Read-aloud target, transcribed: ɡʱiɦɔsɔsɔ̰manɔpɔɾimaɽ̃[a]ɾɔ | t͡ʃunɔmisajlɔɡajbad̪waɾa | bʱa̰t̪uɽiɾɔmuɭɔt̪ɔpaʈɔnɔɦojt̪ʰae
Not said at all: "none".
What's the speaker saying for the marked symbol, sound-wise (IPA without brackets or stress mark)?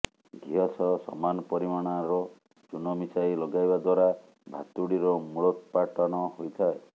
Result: a